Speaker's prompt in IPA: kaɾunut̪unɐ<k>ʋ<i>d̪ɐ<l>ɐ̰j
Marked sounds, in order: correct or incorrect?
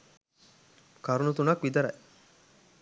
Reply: correct, correct, incorrect

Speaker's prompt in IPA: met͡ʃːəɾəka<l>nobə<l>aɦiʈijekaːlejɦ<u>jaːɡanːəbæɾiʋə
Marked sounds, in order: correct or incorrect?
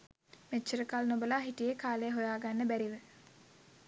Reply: correct, correct, incorrect

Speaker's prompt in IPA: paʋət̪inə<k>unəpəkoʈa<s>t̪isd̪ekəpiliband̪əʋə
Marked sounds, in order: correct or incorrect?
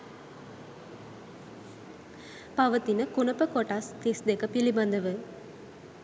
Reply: correct, correct

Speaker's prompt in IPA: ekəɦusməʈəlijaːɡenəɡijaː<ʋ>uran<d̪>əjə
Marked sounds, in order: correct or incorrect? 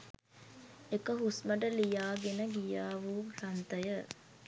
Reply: correct, incorrect

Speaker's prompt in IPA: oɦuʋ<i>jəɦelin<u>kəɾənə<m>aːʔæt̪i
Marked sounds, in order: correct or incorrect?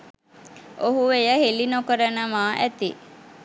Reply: incorrect, incorrect, correct

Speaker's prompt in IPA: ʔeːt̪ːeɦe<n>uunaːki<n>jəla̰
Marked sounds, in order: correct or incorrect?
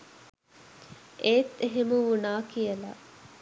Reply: incorrect, incorrect

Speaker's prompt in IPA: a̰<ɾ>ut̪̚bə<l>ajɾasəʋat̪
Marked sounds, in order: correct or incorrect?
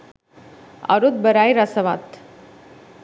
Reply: correct, incorrect

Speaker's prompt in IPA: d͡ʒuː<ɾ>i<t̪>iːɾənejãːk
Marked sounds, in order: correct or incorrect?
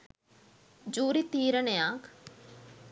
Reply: correct, correct

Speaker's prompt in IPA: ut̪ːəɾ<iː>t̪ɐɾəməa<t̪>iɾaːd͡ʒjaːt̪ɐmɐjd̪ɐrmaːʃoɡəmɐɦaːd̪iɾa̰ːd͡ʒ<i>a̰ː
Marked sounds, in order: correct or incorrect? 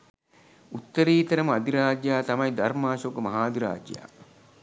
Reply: correct, incorrect, incorrect

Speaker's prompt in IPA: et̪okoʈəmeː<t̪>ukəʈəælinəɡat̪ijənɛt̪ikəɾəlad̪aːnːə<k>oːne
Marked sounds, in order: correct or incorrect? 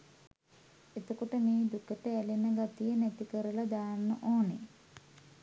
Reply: incorrect, incorrect

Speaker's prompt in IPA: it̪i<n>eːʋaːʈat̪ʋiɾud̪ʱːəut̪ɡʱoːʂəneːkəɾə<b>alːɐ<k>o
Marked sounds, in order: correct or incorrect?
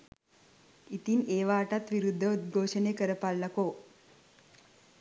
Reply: correct, incorrect, correct

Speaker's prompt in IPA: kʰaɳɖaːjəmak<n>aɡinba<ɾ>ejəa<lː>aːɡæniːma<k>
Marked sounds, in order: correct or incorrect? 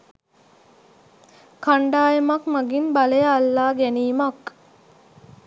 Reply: incorrect, incorrect, correct, correct

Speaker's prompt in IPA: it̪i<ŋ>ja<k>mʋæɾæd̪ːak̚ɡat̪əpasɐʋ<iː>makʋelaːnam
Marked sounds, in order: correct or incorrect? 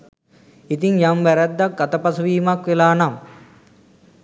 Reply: correct, incorrect, correct

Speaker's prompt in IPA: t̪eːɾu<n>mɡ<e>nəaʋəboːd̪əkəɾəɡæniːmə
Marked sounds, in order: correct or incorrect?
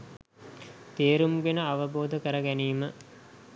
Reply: incorrect, correct

